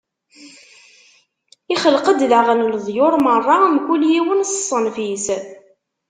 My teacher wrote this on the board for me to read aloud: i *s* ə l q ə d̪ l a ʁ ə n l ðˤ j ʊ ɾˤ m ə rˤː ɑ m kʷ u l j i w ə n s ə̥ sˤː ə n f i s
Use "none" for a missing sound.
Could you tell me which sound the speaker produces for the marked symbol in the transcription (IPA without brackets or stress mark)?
χ